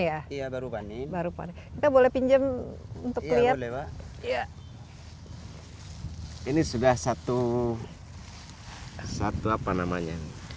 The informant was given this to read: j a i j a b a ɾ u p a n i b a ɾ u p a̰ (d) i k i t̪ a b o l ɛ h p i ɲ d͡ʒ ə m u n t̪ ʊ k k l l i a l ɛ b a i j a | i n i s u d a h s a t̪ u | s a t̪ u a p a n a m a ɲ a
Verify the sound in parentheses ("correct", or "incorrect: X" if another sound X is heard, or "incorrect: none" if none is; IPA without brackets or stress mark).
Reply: incorrect: n